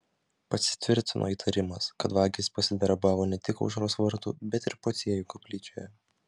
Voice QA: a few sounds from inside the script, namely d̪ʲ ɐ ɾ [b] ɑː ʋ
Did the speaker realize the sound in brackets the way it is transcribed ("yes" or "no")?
yes